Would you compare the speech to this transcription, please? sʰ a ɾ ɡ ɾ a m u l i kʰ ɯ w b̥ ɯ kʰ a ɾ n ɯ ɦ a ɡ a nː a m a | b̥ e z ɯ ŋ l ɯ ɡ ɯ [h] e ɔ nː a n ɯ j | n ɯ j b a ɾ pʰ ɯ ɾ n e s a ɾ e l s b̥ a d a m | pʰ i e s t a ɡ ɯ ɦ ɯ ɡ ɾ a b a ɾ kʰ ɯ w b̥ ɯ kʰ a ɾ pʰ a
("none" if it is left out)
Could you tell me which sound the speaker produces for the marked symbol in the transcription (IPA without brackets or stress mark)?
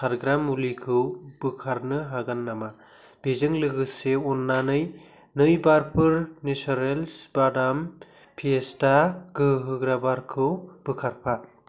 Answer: s